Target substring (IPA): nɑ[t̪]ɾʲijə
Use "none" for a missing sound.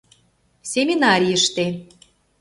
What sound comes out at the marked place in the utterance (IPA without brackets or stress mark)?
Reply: none